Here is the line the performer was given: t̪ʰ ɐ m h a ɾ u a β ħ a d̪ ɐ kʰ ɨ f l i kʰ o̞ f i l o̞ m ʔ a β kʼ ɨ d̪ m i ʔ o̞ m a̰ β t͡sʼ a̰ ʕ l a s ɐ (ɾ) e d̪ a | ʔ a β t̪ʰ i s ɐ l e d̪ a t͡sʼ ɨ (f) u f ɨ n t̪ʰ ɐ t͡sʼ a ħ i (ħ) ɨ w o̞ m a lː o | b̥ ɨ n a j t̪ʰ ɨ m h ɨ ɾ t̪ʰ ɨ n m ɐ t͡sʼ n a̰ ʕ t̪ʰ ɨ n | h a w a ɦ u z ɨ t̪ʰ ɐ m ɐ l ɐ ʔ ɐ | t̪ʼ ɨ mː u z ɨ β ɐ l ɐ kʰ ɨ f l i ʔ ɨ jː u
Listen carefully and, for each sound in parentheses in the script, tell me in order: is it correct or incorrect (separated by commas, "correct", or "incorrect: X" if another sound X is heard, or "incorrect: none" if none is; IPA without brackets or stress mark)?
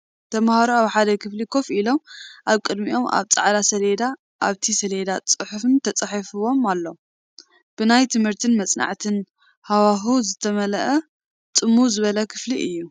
incorrect: l, incorrect: ħ, incorrect: f